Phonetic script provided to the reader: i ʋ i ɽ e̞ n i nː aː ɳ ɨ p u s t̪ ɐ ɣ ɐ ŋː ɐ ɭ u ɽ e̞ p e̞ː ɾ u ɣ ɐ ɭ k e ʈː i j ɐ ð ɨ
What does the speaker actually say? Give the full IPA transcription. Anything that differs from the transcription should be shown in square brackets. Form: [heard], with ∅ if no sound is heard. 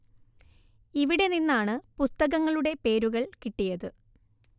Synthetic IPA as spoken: i ʋ i ɽ e̞ n i nː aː ɳ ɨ p u s t̪ ɐ ɣ ɐ ŋː ɐ ɭ u ɽ e̞ p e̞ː ɾ u ɣ ɐ ɭ k [i] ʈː i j ɐ ð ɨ